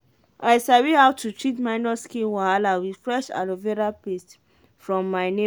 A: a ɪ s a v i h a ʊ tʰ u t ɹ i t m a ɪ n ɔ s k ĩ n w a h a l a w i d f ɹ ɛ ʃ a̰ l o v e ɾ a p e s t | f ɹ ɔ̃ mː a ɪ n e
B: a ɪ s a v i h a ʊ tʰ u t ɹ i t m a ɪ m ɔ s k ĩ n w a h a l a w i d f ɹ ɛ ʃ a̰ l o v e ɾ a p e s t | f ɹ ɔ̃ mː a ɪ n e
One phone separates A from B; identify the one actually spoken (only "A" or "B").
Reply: A